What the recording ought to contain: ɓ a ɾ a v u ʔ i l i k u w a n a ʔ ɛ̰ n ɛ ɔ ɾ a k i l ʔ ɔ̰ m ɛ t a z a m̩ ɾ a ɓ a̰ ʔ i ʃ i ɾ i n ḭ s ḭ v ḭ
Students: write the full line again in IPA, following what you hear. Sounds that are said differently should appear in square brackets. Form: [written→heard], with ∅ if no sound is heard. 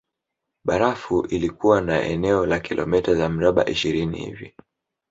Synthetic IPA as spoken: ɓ a ɾ a [v→f] u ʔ i l i k u w a n a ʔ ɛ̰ n ɛ ɔ [ɾ→l] a k i l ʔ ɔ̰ m ɛ t a z a m̩ ɾ a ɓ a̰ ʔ i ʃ i ɾ i n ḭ [s→h] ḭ v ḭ

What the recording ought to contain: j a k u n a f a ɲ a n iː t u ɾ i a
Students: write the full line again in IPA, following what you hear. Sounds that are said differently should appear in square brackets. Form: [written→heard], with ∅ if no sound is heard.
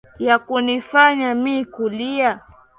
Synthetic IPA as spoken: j a k u n [a→i] f a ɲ a [n→m] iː [t→k] u [ɾ→l] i a

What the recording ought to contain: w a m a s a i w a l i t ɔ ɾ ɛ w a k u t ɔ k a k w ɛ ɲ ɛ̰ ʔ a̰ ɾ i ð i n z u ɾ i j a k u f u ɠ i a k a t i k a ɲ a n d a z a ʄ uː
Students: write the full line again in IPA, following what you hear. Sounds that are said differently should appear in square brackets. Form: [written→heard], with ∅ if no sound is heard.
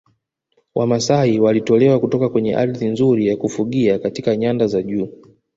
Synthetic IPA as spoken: w a m a s a i w a l i t ɔ [ɾ→l] ɛ w a k u t ɔ k a k w ɛ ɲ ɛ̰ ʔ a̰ ɾ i ð i n z u ɾ i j a k u f u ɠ i a k a t i k a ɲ a n d a z a ʄ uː

